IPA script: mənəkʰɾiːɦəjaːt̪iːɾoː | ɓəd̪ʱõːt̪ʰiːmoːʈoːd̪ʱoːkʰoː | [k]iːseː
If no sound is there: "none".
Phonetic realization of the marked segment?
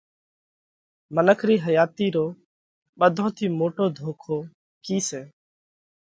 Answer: k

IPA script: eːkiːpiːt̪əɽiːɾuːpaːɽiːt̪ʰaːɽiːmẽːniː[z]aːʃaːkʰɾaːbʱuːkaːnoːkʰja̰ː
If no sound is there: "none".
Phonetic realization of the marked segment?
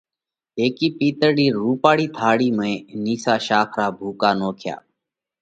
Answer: s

